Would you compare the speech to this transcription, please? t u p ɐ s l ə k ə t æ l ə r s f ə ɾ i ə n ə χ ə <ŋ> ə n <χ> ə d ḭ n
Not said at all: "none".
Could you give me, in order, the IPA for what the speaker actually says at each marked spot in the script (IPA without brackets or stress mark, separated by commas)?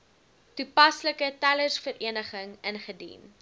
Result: ŋ, χ